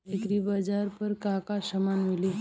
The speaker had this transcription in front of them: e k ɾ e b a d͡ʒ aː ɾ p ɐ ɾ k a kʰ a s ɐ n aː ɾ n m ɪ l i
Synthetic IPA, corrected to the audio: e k ɾ i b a d͡ʒ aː ɾ p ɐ ɾ k a k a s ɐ m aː n m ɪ l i